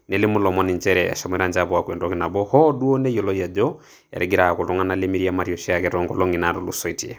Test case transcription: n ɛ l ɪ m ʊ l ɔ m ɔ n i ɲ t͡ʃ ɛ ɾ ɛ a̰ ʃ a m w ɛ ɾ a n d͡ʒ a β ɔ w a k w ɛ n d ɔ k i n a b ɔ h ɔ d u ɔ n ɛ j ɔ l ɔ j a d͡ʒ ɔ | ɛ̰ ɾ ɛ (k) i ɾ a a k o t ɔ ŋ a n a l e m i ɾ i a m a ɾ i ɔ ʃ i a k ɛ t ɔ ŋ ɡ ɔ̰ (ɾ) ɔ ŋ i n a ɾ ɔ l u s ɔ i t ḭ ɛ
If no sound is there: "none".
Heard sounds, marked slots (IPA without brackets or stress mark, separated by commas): ɡ, l